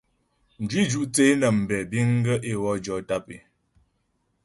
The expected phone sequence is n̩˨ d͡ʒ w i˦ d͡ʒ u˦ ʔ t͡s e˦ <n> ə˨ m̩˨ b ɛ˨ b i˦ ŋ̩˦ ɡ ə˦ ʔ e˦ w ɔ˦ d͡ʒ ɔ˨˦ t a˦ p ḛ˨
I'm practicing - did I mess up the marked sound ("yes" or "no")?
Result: no